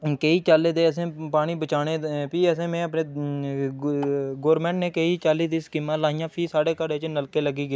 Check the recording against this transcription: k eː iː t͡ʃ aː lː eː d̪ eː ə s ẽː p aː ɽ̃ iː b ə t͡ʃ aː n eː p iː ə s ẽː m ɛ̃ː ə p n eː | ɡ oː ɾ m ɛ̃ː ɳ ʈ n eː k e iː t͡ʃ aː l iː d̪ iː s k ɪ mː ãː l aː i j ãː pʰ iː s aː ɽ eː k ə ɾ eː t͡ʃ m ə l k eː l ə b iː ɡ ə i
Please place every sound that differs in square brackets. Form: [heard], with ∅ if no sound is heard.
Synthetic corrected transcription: k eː iː t͡ʃ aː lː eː d̪ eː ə s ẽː p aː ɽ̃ iː b ə t͡ʃ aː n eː p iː ə s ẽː m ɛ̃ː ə p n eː | ɡ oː ɾ m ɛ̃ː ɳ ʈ n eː k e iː t͡ʃ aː l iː d̪ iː s k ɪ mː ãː l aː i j ãː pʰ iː s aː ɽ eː k ə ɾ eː t͡ʃ [n] ə l k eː l ə [ɡ] iː ɡ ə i